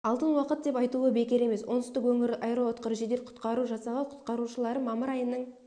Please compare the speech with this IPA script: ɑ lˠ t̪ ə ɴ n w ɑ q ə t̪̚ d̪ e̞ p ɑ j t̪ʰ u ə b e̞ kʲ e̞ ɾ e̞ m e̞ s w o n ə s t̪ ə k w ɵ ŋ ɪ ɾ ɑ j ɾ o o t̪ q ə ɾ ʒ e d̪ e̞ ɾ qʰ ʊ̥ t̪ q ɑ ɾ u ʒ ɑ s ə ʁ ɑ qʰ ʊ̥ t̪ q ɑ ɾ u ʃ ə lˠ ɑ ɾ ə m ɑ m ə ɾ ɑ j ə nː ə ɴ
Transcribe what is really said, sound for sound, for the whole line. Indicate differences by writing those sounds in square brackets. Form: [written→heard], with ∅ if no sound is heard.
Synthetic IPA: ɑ lˠ t̪ ə [ɴ→∅] n w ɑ q ə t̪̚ d̪ e̞ p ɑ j [t̪ʰ→t̪] u ə b e̞ kʲ e̞ ɾ e̞ m e̞ s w o n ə s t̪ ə k w ɵ ŋ ɪ ɾ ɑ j ɾ o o t̪ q ə ɾ ʒ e d̪ e̞ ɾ qʰ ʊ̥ t̪ q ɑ ɾ u ʒ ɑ s [ə→ɑ] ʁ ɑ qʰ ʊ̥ t̪ q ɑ ɾ u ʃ ə lˠ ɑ ɾ ə m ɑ m ə ɾ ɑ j ə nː ə ɴ